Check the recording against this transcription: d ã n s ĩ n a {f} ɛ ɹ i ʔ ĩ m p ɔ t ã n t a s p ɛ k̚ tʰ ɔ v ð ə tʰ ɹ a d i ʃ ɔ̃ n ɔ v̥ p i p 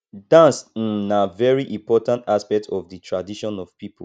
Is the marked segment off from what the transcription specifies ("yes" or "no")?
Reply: yes